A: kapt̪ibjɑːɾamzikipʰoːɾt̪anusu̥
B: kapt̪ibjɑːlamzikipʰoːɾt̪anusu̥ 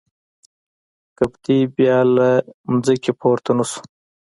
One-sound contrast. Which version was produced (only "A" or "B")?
B